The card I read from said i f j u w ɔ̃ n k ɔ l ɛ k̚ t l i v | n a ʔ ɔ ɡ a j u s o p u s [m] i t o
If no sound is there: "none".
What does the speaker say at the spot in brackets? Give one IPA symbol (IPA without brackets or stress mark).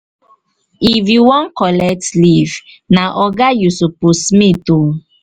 m